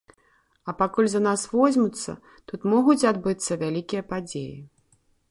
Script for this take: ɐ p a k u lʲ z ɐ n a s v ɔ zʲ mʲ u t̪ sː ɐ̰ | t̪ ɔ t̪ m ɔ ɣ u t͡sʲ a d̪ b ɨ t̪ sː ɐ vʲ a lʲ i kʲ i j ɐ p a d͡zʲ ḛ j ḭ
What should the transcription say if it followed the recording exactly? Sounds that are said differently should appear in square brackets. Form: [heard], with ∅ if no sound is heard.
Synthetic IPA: ɐ p a k u lʲ z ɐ n a s v ɔ zʲ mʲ u t̪ sː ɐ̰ | t̪ [u] t̪ m ɔ ɣ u t͡sʲ a d̪ b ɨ t̪ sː ɐ vʲ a lʲ i kʲ i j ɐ p a d͡zʲ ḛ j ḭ